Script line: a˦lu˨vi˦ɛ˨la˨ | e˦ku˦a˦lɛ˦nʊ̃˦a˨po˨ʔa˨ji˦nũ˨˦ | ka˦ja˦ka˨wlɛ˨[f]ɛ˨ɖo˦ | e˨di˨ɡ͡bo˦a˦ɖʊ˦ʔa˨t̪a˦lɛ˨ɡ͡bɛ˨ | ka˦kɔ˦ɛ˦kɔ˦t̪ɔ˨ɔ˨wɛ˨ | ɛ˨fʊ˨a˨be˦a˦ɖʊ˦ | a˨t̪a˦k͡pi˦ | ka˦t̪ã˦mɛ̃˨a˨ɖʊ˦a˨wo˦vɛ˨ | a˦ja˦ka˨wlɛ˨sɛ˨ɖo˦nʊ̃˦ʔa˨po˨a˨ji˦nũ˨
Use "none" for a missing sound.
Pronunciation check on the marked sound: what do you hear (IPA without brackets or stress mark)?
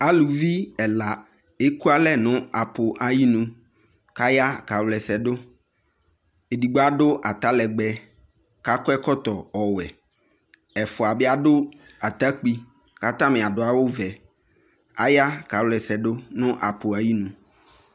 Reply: s